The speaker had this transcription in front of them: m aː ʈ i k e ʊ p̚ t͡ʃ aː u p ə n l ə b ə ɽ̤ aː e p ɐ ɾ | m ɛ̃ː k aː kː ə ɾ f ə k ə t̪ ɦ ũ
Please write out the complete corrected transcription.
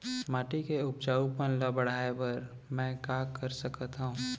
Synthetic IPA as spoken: m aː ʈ i k e ʊ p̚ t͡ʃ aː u p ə n l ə b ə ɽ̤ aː e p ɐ ɾ | m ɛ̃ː k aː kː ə ɾ s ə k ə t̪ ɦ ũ

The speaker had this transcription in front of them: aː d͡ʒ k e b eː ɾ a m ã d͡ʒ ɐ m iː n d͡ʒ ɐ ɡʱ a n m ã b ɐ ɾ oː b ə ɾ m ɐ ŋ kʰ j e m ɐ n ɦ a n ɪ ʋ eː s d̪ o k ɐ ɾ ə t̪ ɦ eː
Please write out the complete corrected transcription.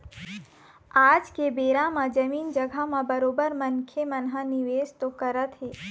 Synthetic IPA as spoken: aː d͡ʒ k e b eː ɾ a m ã d͡ʒ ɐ m iː n d͡ʒ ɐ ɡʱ a m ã b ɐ ɾ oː b ə ɾ m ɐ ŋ kʰ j e m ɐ n ɦ a n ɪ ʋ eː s t̪ o k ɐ ɾ ə t̪ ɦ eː

